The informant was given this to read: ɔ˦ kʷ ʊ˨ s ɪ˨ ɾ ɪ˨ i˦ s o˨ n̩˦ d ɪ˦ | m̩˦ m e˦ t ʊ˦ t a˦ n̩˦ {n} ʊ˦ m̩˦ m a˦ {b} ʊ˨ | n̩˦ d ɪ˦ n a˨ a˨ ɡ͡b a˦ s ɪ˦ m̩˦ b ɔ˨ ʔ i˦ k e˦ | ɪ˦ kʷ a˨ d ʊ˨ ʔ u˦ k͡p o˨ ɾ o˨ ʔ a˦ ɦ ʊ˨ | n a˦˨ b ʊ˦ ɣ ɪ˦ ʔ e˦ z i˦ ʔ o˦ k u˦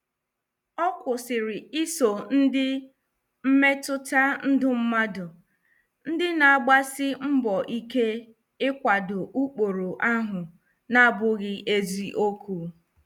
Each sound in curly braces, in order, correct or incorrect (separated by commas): incorrect, incorrect